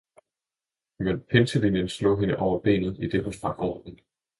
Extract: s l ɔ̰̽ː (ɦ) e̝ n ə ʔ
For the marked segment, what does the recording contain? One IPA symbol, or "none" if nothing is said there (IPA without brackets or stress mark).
ɦ